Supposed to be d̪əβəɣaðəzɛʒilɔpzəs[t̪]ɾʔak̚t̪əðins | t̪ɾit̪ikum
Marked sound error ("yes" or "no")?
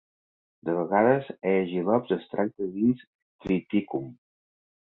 no